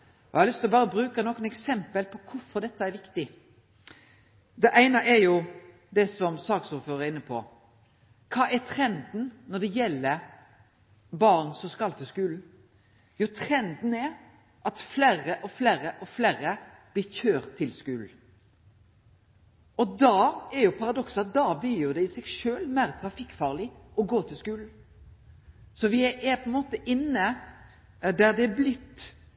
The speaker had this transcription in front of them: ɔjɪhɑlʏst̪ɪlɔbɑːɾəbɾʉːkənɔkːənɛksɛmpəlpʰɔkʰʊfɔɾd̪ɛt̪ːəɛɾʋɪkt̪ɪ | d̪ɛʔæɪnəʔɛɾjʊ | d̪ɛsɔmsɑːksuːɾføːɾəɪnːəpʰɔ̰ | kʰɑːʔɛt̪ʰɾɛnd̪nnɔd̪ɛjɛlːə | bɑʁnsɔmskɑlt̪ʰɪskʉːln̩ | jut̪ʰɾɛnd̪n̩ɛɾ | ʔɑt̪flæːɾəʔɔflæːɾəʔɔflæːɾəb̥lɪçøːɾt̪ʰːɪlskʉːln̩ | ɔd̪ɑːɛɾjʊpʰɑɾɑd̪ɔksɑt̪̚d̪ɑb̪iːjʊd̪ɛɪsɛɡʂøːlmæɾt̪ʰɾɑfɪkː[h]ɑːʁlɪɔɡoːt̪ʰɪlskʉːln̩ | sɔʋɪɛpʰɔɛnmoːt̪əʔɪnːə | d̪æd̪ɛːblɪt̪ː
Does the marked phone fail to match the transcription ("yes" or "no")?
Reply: yes